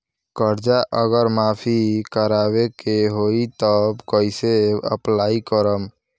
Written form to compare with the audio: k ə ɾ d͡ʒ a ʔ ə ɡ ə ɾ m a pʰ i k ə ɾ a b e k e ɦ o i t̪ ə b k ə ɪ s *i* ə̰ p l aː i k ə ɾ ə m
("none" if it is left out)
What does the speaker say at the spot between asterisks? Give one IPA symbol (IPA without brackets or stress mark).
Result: e